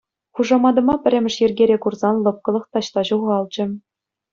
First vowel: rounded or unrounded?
rounded